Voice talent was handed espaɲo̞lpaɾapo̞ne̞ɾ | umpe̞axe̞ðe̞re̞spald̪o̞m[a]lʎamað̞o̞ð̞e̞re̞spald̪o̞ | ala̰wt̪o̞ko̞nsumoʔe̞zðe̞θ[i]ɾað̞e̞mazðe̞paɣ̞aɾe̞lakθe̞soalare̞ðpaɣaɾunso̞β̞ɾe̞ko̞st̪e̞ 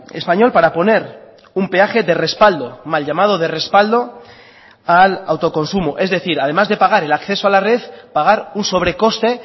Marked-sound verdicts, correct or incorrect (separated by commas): correct, correct